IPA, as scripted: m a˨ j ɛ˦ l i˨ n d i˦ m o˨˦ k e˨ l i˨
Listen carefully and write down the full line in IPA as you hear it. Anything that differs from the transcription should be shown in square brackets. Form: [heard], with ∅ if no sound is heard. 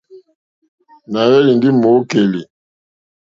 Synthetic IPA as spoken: [n] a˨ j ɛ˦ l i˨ n d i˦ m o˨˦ k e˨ l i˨